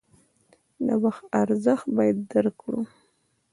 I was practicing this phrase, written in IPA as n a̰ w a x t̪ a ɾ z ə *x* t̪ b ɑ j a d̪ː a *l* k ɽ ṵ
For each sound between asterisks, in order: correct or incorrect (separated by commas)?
correct, incorrect